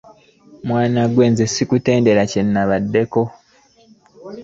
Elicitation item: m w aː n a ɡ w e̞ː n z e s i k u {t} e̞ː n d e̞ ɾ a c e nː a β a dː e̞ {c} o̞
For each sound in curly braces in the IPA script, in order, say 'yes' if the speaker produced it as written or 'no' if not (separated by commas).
yes, no